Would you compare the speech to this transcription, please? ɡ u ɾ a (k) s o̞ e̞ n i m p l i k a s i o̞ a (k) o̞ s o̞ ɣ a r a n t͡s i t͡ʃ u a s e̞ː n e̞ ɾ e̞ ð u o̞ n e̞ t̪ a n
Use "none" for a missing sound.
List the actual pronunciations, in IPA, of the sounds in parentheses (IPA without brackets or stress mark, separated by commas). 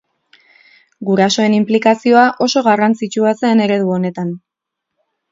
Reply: none, ʔ